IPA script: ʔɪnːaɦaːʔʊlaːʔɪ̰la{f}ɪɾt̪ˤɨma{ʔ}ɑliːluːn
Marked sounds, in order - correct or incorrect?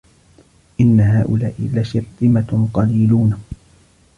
incorrect: ʃ, incorrect: q

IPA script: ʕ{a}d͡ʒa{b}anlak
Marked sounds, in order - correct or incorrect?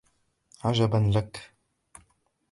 correct, correct

